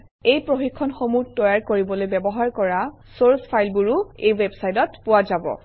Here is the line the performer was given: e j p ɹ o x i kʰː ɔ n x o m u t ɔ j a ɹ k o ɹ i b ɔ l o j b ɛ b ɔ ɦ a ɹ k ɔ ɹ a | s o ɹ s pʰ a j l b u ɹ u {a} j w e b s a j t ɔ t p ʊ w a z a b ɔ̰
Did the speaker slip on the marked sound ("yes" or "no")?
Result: yes